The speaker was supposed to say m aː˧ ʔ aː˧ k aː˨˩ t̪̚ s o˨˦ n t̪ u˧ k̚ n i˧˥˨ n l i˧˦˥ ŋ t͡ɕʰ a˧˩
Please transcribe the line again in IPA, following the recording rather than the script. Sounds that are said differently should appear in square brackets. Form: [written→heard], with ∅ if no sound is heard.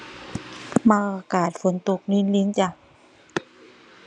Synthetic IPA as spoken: m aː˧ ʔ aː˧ k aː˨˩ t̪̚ [s→f] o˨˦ n t̪ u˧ k̚ n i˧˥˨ n l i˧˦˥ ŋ [t͡ɕʰ→t͡ɕ] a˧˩

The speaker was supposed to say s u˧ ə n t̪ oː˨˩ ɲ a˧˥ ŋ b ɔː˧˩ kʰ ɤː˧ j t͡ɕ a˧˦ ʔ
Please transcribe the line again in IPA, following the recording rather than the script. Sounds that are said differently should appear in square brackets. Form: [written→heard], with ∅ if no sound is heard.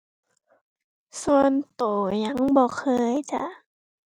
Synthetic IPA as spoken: s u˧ ə n t̪ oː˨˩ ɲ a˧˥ ŋ b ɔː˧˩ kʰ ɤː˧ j t͡ɕ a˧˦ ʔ

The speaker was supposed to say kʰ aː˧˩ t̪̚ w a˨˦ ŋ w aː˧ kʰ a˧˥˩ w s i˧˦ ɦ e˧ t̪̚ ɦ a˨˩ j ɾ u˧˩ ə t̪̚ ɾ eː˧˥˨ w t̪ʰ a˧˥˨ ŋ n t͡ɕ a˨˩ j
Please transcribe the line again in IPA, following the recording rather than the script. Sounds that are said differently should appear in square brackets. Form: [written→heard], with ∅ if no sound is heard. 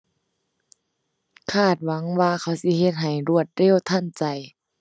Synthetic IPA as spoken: kʰ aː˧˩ t̪̚ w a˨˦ ŋ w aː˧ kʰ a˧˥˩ w s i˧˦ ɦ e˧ t̪̚ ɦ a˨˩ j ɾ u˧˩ ə t̪̚ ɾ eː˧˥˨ w t̪ʰ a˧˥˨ [ŋ→∅] n t͡ɕ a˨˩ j

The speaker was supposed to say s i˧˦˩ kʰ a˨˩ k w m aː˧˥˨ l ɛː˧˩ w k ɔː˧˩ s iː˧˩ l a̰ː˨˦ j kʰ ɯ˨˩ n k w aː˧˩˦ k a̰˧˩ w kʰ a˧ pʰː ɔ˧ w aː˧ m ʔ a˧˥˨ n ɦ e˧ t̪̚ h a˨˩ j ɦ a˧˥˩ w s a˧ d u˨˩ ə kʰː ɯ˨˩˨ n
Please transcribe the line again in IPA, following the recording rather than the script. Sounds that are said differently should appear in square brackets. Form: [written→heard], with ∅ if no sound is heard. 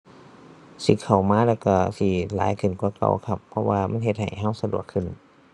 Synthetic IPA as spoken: s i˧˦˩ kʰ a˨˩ [k→∅] w m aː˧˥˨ l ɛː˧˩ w k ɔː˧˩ s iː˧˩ l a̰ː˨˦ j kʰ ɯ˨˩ n k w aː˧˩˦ k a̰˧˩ w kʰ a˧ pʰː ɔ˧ w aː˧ m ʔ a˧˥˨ n ɦ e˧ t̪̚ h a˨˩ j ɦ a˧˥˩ w s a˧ d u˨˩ ə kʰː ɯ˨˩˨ n

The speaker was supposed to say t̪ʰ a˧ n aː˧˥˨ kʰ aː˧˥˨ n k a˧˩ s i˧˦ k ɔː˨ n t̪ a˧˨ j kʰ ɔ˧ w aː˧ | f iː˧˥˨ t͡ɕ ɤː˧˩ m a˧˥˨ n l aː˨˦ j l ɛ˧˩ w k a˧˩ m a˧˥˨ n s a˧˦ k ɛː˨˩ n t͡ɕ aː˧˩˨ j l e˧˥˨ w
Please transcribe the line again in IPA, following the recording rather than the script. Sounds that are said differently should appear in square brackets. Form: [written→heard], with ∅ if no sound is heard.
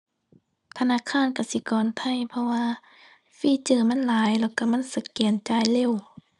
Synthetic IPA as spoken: t̪ʰ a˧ n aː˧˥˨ kʰ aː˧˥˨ n k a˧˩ s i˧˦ k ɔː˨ n [t̪→t̪ʰ] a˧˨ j [kʰ→pʰ] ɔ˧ w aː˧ | f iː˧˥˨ t͡ɕ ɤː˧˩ m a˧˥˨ n l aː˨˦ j l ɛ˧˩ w k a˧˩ m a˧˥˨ n s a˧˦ k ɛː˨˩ n t͡ɕ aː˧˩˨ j l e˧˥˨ w

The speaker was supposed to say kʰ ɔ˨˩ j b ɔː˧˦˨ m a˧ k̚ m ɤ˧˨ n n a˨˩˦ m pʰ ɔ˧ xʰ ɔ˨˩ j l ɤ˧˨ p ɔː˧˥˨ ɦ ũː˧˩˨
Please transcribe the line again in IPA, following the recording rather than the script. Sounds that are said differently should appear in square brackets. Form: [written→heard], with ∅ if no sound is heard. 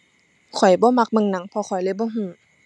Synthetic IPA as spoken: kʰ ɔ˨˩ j b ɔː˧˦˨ m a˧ k̚ m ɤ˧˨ [n→ŋ] n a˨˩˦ [m→ŋ] pʰ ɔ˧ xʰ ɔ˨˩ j l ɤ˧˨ [p→b] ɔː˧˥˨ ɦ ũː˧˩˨

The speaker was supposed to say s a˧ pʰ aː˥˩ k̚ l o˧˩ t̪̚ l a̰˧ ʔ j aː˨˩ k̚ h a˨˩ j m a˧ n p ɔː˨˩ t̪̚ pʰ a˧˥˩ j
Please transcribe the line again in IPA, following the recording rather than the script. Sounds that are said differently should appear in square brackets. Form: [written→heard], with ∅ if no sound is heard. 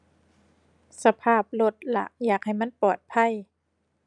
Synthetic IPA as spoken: s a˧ pʰ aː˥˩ [k̚→p̚] l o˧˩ t̪̚ l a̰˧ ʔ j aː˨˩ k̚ h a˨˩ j m [a˧→a˥˨] n p ɔː˨˩ t̪̚ pʰ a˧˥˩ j

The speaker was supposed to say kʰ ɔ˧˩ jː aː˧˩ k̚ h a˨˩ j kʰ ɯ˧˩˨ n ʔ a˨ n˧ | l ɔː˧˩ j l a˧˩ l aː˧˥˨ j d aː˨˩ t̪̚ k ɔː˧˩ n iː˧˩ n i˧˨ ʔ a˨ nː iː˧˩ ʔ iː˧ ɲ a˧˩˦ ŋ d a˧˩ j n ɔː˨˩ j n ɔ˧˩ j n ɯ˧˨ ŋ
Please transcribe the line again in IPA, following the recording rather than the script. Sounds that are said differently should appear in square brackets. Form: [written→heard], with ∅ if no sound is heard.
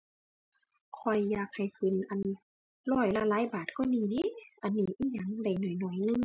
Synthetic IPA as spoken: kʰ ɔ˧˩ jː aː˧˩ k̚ h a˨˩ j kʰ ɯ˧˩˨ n ʔ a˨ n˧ | l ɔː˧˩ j l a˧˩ l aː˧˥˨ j [d→b] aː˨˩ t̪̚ k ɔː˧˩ n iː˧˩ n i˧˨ ʔ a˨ nː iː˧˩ ʔ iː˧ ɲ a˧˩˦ ŋ d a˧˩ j n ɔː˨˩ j n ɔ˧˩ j n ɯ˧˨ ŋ

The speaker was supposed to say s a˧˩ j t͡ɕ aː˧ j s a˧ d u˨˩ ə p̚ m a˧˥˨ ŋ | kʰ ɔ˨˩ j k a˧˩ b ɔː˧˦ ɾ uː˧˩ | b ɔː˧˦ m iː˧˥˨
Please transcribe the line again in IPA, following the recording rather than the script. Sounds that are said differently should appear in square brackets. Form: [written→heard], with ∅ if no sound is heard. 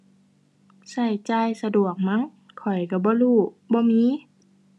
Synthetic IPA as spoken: s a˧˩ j t͡ɕ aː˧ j s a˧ d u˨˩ ə [p̚→k̚] m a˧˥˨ ŋ | kʰ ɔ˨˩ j k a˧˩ b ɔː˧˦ [ɾ→l] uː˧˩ | b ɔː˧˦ m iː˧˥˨

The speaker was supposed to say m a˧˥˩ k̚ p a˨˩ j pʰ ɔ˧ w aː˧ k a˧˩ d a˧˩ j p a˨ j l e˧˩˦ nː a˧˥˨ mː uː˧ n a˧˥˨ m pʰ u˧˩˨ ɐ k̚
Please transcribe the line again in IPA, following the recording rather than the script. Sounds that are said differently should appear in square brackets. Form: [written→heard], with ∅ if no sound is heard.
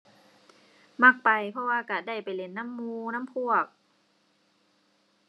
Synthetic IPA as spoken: m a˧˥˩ k̚ p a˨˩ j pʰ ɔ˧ w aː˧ k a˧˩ d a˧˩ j p a˨ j l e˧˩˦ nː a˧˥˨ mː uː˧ n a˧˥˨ m pʰ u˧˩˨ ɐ k̚

